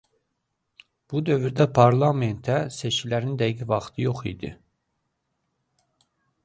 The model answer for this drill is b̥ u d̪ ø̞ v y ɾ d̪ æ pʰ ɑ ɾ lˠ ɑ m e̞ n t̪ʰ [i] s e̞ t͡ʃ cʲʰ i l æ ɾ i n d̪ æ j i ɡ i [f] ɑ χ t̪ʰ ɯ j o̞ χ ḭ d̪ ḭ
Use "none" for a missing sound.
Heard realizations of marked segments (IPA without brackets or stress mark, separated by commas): æ, v